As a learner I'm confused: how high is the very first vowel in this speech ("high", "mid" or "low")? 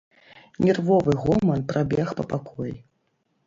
mid